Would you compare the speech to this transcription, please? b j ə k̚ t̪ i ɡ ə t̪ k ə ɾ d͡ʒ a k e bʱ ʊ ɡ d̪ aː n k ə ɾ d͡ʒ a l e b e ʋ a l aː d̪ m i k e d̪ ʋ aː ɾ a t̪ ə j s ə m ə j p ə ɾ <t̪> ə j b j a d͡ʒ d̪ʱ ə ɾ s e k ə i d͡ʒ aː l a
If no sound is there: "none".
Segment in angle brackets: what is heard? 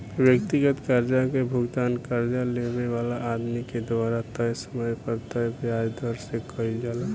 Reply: t̪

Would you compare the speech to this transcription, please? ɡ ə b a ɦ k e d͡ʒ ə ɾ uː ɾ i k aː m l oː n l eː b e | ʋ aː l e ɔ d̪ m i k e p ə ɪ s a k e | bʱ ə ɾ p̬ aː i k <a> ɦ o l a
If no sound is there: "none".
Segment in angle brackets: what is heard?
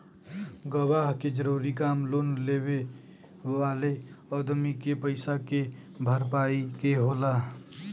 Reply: e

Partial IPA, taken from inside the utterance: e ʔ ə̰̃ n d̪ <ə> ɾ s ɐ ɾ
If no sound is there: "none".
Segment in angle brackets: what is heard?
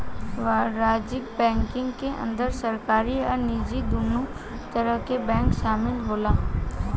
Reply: ə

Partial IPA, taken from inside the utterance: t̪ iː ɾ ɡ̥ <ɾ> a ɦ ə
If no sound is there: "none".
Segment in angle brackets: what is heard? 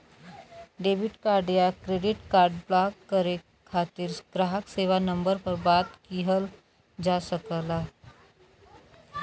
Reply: ɾ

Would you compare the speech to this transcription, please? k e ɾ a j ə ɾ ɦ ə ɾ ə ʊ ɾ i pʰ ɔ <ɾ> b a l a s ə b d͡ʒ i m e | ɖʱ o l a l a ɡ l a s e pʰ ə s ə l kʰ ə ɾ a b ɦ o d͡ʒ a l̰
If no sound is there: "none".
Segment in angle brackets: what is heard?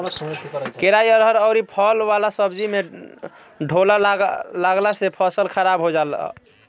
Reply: l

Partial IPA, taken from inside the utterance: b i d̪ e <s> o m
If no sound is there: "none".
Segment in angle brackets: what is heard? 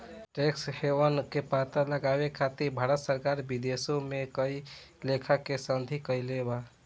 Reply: s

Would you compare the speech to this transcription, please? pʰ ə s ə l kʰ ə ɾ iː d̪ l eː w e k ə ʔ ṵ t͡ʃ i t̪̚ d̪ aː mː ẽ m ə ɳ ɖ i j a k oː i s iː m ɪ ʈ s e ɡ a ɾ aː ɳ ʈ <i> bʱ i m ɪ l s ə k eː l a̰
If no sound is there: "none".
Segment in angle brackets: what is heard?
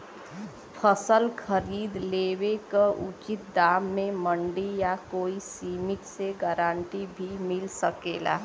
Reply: i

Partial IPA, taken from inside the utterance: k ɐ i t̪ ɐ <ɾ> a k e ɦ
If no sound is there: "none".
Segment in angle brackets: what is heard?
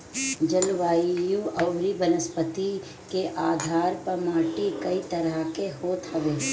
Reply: ɾ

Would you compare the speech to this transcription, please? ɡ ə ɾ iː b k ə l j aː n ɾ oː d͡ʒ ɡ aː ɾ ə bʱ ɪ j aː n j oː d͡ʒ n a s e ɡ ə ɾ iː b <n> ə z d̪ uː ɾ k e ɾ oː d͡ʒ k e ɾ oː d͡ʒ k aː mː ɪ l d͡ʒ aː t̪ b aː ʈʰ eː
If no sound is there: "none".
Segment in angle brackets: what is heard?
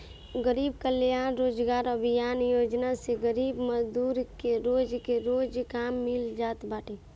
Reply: m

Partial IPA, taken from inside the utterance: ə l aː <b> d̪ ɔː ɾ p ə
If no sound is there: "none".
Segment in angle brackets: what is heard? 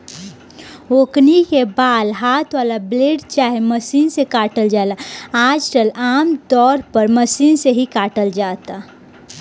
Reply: m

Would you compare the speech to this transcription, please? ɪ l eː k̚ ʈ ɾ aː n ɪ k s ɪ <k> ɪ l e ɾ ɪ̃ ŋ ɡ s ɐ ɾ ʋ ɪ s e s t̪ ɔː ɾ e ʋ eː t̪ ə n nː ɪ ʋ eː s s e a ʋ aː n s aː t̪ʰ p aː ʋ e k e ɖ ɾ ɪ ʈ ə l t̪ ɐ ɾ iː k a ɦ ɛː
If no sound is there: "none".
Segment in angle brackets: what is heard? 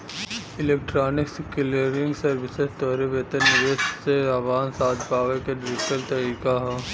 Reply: k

